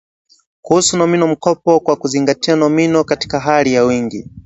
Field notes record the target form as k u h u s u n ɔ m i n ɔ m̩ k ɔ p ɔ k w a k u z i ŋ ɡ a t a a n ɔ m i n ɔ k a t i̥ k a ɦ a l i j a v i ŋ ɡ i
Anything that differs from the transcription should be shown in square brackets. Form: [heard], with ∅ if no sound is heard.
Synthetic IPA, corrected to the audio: k u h u s u n ɔ m i n ɔ m̩ k ɔ p ɔ k w a k u z i ŋ ɡ a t [i] a n ɔ m i n ɔ k a t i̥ k a ɦ a l i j a [w] i ŋ ɡ i